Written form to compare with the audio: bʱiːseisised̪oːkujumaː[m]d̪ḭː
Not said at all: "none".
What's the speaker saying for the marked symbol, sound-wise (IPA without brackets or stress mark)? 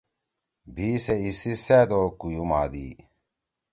none